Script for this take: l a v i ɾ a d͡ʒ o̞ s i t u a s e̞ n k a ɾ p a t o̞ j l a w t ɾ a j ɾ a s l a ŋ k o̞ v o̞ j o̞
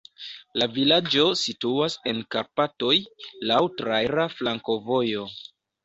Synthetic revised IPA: l a v i l a d͡ʒ o̞ s i t u a s e̞ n k a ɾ p a t o̞ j l a w t ɾ a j ɾ a f l a ŋ k o̞ v o̞ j o̞